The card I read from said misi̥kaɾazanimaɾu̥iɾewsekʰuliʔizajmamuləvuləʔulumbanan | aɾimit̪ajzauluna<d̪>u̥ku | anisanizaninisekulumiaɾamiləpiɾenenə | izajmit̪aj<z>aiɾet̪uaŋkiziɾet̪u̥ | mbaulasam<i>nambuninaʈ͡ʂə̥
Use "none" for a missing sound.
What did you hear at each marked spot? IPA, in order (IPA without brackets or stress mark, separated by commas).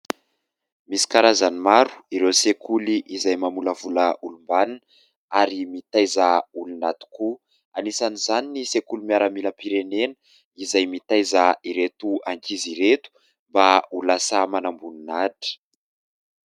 t̪, z, a